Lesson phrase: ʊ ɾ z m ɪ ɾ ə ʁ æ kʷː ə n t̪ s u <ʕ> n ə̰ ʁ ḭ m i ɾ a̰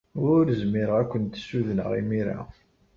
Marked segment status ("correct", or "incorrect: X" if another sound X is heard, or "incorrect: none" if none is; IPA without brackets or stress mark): incorrect: ð